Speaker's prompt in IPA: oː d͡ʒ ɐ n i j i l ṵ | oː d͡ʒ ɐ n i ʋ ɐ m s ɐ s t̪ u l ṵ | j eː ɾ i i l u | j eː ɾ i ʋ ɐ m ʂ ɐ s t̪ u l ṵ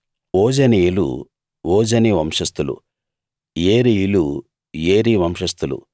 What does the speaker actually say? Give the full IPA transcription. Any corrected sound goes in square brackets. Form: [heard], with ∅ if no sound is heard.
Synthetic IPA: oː d͡ʒ ɐ n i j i l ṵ | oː d͡ʒ ɐ n i ʋ ɐ m [ʂ] ɐ s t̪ u l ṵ | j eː ɾ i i l u | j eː ɾ i ʋ ɐ m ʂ ɐ s t̪ u l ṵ